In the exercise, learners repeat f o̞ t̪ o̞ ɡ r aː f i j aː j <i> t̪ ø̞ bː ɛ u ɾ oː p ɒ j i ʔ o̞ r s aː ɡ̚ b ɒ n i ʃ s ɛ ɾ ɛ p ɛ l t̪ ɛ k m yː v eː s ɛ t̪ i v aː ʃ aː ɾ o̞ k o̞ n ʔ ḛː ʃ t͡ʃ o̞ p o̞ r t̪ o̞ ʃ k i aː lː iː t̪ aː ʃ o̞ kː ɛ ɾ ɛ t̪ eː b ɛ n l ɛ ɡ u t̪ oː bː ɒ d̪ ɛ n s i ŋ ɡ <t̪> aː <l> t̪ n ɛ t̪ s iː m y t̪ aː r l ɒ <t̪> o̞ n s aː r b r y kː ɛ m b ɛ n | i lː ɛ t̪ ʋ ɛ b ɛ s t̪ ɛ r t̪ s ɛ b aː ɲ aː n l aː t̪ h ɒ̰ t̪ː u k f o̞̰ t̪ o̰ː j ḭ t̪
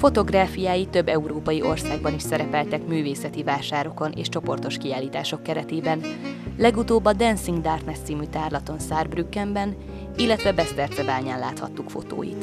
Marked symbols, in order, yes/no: yes, no, no, yes

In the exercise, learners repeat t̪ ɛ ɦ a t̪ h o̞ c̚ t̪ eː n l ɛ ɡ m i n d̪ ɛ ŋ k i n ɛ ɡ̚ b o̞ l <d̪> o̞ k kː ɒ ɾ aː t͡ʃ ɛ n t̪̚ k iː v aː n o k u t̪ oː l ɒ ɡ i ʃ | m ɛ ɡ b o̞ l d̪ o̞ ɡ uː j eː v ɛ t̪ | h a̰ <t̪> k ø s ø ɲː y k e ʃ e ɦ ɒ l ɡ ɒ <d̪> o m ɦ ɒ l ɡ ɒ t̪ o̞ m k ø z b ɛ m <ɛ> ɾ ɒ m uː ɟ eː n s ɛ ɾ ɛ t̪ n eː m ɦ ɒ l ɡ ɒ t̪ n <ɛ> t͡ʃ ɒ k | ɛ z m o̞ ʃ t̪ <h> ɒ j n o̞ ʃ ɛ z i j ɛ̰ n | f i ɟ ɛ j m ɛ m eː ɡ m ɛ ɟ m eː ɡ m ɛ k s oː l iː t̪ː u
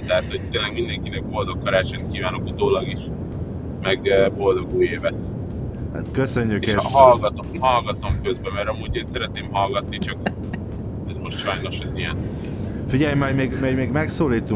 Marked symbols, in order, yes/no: yes, yes, no, yes, no, no

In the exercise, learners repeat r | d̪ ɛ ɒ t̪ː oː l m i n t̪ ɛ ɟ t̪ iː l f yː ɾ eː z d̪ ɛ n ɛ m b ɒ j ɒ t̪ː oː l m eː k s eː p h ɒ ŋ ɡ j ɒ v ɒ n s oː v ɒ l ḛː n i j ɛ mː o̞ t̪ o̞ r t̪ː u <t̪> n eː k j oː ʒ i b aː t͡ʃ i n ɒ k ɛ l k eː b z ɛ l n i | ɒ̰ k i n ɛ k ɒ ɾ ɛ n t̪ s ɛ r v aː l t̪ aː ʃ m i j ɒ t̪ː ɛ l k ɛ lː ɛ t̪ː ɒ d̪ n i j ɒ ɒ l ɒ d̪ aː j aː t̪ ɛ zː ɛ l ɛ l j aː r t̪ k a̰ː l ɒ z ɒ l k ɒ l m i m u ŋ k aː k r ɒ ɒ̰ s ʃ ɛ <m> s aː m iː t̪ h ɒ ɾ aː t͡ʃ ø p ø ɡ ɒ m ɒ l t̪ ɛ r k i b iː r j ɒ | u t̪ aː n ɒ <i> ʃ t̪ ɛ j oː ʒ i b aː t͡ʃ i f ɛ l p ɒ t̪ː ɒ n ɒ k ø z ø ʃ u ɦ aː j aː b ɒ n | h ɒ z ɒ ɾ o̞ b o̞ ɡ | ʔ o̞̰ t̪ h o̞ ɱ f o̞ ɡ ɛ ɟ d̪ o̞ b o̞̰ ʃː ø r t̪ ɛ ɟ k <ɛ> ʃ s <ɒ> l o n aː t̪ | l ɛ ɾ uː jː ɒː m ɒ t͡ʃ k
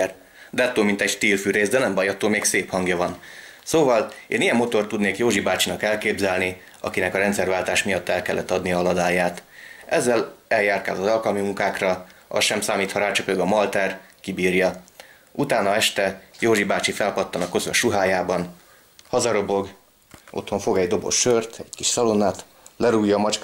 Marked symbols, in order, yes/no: no, yes, no, no, yes

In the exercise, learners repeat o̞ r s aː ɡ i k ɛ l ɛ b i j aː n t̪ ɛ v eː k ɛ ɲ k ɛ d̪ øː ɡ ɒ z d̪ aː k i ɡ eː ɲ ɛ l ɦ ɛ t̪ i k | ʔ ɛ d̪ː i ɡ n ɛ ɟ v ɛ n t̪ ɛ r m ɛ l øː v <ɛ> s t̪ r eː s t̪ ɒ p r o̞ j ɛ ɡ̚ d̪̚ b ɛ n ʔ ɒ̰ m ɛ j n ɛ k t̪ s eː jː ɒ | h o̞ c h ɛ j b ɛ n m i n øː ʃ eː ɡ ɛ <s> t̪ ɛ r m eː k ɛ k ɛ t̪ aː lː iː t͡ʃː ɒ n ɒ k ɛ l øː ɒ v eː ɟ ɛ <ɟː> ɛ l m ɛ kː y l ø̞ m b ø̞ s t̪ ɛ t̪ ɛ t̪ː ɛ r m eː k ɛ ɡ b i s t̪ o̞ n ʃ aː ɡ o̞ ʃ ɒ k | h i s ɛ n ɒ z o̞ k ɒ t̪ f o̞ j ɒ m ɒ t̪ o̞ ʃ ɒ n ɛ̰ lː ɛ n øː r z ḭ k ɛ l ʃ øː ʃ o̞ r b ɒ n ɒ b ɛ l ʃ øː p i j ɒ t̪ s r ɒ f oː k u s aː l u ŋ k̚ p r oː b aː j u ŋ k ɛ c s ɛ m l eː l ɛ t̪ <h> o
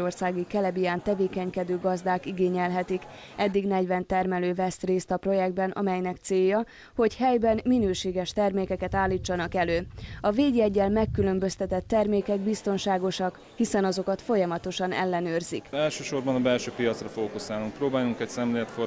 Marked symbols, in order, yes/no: yes, no, yes, no

